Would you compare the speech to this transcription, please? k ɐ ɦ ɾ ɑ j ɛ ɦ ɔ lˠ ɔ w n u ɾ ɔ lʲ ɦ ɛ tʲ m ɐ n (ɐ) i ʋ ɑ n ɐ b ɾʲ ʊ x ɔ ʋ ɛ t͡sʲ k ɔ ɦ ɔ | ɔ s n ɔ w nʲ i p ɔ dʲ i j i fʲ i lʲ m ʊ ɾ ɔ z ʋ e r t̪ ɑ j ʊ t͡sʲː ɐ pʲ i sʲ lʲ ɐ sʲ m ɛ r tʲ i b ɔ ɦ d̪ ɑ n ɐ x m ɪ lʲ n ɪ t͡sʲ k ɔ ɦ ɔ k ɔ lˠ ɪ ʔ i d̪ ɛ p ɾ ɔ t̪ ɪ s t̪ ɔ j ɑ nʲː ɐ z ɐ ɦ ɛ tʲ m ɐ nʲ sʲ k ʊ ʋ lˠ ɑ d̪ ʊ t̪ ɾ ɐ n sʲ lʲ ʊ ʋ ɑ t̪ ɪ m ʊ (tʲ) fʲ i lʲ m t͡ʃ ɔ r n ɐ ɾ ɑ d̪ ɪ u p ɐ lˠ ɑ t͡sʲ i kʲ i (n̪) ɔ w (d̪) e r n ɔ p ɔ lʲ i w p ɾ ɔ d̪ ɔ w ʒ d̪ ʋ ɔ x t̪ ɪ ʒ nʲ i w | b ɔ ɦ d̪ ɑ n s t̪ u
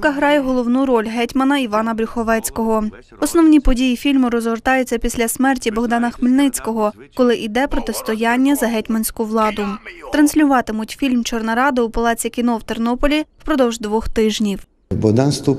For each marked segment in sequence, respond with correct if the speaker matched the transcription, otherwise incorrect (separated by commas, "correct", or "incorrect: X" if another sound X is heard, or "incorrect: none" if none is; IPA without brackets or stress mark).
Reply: correct, correct, correct, incorrect: t̪